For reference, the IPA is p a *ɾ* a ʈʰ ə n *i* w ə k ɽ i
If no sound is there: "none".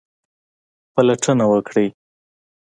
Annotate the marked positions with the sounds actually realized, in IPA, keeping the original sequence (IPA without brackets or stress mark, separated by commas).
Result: l, a